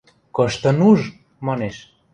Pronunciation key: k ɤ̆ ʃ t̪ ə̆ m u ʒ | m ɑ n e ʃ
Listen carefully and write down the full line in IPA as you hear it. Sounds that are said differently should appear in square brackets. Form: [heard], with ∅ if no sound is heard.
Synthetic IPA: k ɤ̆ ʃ t̪ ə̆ [n] u ʒ | m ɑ n e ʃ